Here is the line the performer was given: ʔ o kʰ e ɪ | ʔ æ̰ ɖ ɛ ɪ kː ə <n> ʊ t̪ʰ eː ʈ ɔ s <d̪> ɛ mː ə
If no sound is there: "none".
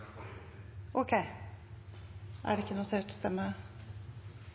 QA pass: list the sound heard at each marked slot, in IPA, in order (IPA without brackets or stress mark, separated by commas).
n, t̪